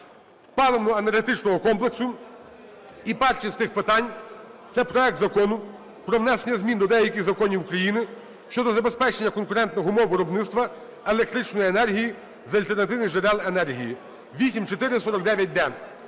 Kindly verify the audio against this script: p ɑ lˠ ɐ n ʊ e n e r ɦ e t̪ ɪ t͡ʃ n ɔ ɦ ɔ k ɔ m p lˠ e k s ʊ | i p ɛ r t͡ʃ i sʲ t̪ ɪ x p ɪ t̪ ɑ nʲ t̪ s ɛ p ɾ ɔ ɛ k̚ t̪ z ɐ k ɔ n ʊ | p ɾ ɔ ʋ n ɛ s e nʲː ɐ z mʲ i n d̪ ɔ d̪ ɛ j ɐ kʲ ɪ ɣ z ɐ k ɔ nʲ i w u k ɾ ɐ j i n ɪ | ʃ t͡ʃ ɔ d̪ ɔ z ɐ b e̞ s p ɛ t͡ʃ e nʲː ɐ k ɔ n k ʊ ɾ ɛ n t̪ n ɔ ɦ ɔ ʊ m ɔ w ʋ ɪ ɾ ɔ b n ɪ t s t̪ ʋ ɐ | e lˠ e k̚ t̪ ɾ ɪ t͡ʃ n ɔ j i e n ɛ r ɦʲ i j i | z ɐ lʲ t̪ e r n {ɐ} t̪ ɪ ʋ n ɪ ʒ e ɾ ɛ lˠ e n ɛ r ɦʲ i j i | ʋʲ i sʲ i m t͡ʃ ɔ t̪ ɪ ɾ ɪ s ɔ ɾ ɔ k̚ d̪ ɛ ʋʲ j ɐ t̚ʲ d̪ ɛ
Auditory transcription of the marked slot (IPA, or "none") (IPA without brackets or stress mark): ɐ